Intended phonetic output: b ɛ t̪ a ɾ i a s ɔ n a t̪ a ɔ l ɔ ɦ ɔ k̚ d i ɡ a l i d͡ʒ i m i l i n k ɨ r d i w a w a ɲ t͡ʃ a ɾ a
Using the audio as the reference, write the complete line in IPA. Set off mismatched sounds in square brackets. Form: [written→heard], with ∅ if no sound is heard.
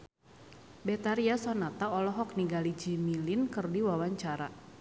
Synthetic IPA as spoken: b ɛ t̪ a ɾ i a s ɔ n a t̪ a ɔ l ɔ ɦ ɔ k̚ [d→n] i ɡ a l i d͡ʒ i m i l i n k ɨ r d i w a w a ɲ t͡ʃ a ɾ a